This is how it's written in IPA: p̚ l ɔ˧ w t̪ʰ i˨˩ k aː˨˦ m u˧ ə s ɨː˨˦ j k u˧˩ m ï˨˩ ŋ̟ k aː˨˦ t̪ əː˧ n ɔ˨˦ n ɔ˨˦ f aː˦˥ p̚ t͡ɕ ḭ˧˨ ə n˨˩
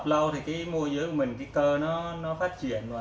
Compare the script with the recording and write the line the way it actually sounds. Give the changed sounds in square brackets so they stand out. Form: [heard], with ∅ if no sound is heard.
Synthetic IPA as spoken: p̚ l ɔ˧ w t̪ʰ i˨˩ k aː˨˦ m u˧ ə [z] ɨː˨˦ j k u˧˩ m ï˨˩ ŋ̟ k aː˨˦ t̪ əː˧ n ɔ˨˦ n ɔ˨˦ f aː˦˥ [t̚] t͡ɕ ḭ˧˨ ə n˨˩